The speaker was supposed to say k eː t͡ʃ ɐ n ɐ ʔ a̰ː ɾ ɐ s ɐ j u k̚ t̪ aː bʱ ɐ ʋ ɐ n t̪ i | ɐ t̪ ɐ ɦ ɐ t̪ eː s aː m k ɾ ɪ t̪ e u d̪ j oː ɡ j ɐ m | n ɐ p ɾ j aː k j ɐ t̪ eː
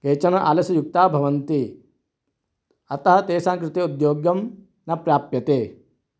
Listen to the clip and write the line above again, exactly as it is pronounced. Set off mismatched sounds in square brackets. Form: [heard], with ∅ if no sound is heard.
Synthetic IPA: k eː t͡ʃ ɐ n ɐ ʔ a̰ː [l] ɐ s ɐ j u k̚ t̪ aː bʱ ɐ ʋ ɐ n t̪ i | ɐ t̪ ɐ ɦ ɐ t̪ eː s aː [ŋ] k ɾ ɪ t̪ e u d̪ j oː ɡ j ɐ m | n ɐ p ɾ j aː [p] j ɐ t̪ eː